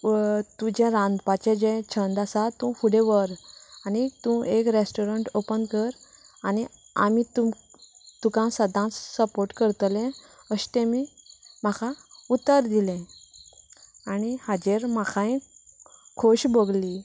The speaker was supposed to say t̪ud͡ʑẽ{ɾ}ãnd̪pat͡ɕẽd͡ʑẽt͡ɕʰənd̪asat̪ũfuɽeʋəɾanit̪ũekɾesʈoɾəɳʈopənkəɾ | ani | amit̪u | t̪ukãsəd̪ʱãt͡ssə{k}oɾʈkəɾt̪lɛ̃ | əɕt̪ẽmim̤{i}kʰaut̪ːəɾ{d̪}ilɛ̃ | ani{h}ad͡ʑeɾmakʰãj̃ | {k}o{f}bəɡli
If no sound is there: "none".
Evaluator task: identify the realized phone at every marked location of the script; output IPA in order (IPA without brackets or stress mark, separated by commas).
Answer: ɾ, p, a, d̪, h, kʰ, ɕ